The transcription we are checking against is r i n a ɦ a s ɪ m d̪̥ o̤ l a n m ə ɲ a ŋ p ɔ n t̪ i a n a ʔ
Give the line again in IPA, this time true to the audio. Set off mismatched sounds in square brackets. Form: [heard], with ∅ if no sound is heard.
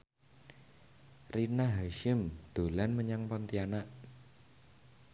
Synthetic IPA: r i n a ɦ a [ʃ] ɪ m d̪̥ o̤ l a n m ə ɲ a ŋ p ɔ n t̪ i a n a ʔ

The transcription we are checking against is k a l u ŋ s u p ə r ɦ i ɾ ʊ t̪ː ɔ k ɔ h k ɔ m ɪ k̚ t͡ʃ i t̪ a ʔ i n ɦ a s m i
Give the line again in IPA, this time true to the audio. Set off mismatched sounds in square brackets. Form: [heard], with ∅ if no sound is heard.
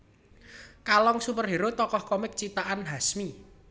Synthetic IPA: k a l [ɔ] ŋ s u p ə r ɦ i ɾ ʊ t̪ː ɔ k ɔ h k ɔ m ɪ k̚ t͡ʃ i t̪ a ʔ [a] n ɦ a s m i

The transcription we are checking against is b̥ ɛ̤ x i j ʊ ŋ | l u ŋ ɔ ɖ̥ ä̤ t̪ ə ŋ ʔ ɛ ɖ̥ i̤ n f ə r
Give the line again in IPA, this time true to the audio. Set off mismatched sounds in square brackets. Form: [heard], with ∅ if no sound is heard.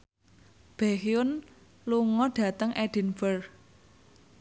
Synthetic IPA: b̥ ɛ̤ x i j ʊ [n] | l u ŋ ɔ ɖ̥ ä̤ t̪ ə ŋ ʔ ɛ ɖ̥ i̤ n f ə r

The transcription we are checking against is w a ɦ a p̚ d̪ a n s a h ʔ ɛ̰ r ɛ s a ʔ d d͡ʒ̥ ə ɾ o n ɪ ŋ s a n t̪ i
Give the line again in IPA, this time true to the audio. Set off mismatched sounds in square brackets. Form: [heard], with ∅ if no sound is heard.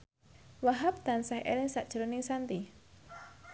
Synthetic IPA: w a ɦ a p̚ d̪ a n s a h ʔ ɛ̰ [l] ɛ s a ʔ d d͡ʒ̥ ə ɾ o n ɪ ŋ s a n t̪ i

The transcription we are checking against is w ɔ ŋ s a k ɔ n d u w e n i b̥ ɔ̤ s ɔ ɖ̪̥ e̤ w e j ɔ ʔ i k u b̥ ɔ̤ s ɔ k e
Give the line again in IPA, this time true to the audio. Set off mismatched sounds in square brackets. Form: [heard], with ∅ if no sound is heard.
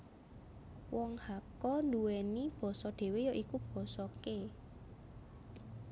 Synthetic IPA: w ɔ ŋ [h] a k ɔ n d u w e n i b̥ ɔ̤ s ɔ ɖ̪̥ e̤ w e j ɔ ʔ i k u b̥ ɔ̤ s ɔ k e

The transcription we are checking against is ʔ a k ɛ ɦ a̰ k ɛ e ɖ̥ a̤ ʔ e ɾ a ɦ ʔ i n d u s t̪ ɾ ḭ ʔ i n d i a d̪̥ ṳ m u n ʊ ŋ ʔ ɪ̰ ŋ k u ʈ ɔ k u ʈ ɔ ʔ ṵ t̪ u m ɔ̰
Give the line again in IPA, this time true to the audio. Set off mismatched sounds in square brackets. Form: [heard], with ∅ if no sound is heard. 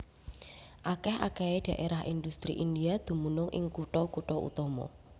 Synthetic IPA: ʔ a k ɛ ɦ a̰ k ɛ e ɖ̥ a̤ ʔ e ɾ a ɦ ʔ i n d u s t̪ ɾ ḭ ʔ i n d i a d̪̥ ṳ m u n ʊ ŋ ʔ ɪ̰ ŋ k u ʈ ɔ k u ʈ ɔ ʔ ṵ t̪ [ɔ] m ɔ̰

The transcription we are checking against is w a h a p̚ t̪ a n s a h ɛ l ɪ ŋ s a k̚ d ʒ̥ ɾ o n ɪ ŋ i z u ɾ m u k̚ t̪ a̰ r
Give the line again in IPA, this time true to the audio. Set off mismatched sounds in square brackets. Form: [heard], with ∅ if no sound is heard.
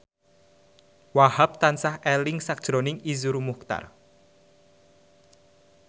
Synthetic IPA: w a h a p̚ t̪ a n s a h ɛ l ɪ ŋ s a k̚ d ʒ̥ ɾ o n ɪ ŋ i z u ɾ m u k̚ t̪ a̰ r

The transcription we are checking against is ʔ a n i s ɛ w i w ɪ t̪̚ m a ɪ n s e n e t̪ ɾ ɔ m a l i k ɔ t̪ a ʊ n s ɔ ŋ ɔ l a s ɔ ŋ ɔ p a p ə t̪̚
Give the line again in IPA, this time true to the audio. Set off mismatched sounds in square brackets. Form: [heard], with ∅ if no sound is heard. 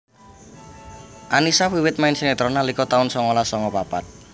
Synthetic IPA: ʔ a n i s [a] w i w ɪ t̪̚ m a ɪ n s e n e t̪ ɾ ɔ [n] a l i k ɔ t̪ a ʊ n s ɔ ŋ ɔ l a s ɔ ŋ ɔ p a p [a] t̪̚

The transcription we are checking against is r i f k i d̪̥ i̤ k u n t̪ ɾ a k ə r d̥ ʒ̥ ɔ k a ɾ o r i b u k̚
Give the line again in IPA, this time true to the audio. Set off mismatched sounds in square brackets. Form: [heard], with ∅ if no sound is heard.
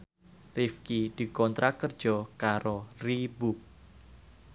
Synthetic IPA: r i f k i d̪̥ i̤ k [ɔ] n t̪ ɾ a k ə r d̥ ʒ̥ ɔ k a ɾ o r i b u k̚

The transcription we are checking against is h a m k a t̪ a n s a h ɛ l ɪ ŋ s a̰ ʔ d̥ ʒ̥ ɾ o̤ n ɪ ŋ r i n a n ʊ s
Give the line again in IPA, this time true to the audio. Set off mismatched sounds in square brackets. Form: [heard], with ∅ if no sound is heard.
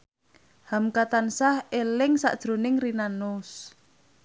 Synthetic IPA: h a m k a t̪ a n s a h [e] l ɪ ŋ s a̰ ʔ d̥ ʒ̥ ɾ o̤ n ɪ ŋ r i n a n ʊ s

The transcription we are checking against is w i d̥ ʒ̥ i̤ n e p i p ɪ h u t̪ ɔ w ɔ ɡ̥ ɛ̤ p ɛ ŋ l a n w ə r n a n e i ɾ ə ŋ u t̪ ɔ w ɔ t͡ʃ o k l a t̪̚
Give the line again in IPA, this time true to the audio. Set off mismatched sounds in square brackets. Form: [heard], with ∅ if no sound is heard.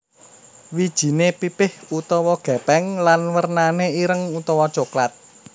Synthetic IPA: w i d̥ ʒ̥ i̤ n e p i p ɪ h u t̪ ɔ w ɔ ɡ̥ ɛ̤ p ɛ ŋ l a n w ə r n a n e i ɾ ə ŋ u t̪ ɔ w ɔ t͡ʃ o k l a t̪̚

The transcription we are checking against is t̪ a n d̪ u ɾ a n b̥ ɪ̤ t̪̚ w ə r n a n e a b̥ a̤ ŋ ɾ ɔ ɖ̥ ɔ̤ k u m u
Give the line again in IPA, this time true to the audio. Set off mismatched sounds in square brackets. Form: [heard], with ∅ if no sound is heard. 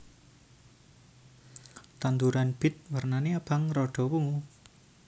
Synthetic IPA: t̪ a n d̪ u ɾ a n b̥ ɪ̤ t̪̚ w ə r n a n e a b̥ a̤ ŋ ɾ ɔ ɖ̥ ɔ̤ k u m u

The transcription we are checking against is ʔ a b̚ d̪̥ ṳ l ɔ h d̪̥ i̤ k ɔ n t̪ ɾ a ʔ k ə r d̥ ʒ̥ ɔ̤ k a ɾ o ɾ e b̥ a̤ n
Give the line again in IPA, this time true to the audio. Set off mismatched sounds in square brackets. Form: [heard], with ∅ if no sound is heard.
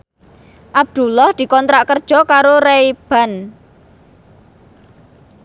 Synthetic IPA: ʔ a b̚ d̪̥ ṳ l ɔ h d̪̥ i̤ k ɔ n t̪ ɾ a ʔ k ə r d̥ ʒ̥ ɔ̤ k a ɾ o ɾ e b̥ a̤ n

